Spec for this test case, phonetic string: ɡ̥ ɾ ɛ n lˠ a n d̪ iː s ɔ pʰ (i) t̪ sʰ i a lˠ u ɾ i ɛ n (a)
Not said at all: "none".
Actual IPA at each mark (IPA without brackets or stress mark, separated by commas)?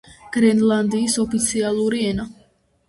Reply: i, a